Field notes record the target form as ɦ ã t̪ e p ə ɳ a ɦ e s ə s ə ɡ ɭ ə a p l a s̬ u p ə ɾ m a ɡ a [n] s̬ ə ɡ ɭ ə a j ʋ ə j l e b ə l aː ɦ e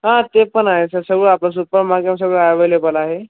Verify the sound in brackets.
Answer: incorrect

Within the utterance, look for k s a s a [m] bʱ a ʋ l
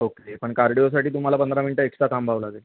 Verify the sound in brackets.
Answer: correct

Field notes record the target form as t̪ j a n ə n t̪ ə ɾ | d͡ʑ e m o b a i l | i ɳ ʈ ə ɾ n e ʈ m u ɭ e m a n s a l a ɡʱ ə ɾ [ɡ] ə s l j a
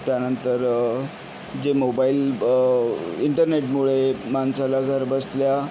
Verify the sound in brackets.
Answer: incorrect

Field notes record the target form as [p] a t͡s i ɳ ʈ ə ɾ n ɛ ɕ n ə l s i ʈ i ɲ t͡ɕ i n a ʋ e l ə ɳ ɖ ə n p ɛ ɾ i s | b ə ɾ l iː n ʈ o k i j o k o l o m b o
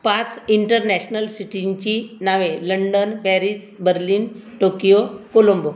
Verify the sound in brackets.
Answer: correct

